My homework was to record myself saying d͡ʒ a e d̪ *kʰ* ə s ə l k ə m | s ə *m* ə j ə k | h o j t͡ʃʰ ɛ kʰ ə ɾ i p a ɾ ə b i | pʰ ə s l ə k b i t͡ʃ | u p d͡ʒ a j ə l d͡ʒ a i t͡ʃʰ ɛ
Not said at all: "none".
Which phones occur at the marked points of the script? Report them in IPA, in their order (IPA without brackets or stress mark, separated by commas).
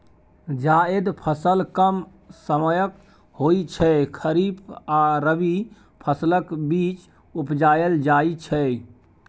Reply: pʰ, m